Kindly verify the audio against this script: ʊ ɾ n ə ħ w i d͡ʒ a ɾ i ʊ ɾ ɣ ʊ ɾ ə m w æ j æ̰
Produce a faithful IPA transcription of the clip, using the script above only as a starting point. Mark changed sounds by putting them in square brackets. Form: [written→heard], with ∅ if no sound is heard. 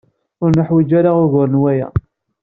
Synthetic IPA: ʊ ɾ n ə ħ w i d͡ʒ a ɾ [i→a] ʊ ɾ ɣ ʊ ɾ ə [m→n] w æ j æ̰